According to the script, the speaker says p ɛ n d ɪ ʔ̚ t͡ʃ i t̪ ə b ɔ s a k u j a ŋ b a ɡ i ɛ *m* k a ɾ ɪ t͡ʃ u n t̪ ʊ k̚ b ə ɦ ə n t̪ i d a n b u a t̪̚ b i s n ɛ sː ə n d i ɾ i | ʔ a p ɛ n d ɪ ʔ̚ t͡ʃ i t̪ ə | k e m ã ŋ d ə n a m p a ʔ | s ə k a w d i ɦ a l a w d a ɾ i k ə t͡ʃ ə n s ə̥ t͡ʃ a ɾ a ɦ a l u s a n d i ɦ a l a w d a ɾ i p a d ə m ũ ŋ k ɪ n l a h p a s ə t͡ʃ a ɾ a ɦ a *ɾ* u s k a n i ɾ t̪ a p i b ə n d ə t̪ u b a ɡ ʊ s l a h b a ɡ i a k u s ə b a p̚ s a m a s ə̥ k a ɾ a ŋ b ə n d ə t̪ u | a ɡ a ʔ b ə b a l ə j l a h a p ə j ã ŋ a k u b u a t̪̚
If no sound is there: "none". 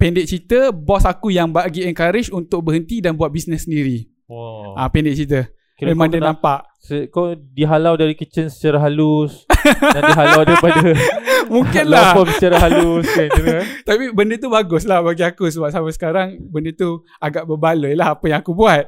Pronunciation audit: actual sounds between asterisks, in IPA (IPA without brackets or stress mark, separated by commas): ŋ, l